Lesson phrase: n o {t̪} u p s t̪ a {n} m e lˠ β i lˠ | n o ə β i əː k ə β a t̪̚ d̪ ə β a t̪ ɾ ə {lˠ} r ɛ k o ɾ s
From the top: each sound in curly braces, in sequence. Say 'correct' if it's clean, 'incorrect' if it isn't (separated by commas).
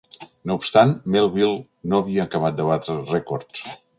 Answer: incorrect, correct, incorrect